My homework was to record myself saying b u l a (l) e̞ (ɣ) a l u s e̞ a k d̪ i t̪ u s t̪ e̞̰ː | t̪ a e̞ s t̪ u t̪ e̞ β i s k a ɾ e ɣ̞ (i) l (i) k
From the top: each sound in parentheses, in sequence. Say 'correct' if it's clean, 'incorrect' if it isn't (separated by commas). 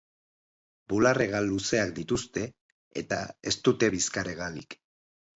incorrect, correct, incorrect, correct